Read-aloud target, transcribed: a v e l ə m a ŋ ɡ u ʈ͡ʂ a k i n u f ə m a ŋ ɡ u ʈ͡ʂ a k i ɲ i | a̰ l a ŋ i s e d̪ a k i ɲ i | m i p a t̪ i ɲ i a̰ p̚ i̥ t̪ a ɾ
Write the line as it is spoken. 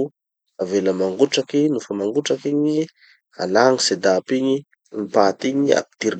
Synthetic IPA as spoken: a v e l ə m a ŋ ɡ u ʈ͡ʂ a k i n u f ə m a ŋ ɡ u ʈ͡ʂ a k i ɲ i | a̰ l a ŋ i s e d̪ a p i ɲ i | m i p a t̪ i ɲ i a̰ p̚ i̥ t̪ i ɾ